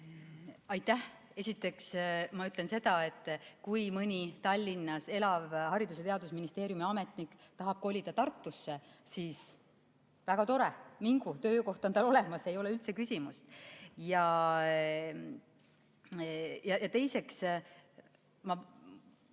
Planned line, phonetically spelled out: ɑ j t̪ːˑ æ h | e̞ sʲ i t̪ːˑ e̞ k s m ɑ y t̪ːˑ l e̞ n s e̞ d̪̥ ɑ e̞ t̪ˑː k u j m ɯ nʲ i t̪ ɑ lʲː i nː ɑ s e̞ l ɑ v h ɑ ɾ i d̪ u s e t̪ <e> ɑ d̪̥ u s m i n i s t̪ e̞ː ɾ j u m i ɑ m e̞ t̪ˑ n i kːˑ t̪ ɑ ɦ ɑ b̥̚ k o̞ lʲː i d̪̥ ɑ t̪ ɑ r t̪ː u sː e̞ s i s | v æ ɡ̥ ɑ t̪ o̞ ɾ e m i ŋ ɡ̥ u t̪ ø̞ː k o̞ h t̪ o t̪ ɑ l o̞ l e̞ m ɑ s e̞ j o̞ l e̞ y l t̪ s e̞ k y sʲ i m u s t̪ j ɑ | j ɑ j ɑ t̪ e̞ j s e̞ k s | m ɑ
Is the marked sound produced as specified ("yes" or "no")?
yes